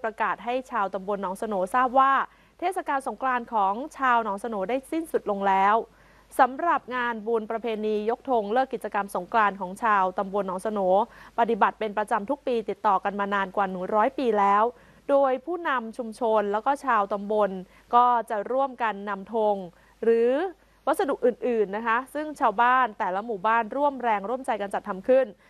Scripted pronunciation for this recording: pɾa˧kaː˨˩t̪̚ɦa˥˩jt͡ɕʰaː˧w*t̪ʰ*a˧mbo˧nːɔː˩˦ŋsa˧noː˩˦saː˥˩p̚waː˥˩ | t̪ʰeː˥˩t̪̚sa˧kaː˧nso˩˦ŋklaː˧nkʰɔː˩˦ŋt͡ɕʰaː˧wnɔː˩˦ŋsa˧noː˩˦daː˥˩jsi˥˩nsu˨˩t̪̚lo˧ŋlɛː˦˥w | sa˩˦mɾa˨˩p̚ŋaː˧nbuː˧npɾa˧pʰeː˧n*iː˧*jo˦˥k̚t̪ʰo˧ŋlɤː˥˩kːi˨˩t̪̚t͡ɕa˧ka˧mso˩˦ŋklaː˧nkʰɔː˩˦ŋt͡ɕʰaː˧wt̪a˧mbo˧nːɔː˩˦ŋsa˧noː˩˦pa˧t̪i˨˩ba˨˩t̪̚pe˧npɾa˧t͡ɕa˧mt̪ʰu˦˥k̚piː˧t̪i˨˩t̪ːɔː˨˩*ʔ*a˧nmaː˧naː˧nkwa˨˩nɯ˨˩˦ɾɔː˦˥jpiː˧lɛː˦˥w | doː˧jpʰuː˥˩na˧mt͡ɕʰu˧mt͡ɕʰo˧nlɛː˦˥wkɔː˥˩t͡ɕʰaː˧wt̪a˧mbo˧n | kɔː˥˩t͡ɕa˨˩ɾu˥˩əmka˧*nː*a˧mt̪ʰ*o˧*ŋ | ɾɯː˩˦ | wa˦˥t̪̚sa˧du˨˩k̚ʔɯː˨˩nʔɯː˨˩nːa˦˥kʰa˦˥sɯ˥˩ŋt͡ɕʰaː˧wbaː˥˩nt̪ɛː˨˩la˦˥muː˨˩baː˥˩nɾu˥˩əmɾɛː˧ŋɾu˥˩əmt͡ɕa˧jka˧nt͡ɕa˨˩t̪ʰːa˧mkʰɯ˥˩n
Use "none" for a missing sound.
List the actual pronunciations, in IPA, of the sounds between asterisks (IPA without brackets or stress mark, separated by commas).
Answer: t̪, iː˧, k, nː, o˧